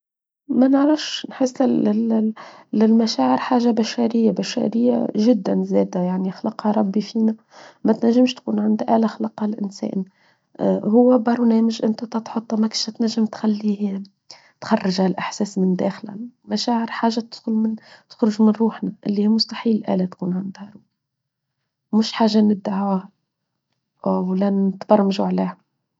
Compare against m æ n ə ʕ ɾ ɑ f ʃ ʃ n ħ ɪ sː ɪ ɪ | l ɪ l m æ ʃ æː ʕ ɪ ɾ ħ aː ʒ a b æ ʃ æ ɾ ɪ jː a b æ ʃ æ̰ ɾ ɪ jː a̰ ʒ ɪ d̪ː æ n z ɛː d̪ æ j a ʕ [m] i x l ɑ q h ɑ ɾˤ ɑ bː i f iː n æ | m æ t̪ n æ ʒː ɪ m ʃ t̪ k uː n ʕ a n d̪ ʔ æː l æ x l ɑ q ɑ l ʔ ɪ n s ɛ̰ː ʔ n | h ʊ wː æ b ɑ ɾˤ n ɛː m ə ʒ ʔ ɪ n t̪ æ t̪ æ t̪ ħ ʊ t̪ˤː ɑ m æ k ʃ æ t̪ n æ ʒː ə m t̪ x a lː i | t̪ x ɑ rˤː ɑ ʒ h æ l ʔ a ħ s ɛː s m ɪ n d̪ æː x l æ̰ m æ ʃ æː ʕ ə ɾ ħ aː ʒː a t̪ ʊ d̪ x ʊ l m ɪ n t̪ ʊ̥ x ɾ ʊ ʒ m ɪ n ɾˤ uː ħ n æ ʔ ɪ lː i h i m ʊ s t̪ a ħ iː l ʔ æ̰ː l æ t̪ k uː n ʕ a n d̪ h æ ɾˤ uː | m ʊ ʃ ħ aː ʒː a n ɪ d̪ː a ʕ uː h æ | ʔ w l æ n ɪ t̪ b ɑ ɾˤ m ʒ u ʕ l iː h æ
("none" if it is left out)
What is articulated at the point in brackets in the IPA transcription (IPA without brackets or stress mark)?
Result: n